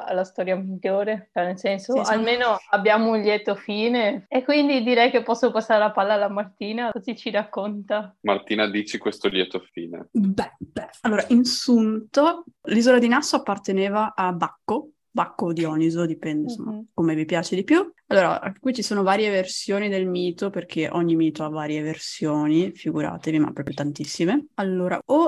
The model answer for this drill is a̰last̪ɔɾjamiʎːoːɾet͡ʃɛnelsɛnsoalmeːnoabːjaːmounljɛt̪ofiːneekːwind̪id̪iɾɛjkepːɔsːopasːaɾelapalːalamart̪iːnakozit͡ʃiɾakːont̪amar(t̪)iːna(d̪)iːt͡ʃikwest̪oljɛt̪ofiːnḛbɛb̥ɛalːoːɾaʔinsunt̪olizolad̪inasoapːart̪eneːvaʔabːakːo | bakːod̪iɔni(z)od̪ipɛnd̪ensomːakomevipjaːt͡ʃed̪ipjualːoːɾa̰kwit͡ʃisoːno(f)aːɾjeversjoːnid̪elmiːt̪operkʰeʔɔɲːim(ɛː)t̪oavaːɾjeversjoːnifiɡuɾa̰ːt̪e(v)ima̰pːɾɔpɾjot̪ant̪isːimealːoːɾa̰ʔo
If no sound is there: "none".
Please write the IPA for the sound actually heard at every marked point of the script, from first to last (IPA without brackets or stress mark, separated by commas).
t̪, d̪, z, v, iː, v